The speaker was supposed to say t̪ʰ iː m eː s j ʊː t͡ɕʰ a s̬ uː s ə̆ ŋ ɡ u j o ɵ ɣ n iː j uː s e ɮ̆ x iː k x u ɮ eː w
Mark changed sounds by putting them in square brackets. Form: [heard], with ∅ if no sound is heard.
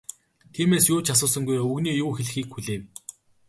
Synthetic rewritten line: t̪ʰ iː m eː s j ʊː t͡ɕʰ a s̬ [ʊː] s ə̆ ŋ ɡ u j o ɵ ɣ n iː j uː [x] e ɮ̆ x iː k x u ɮ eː w